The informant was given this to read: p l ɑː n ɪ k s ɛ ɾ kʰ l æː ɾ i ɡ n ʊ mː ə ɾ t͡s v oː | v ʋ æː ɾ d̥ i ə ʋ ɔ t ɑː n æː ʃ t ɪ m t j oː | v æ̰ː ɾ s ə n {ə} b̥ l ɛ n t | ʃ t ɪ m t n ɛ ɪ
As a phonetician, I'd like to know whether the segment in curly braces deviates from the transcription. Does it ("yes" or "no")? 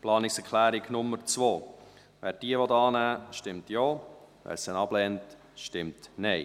yes